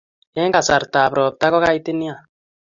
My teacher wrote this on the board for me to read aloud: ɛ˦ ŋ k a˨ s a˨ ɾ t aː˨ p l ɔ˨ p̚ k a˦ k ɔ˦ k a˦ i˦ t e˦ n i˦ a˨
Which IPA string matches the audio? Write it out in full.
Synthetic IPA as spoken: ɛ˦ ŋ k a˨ s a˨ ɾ t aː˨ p ɾ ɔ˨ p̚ t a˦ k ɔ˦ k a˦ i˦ t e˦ n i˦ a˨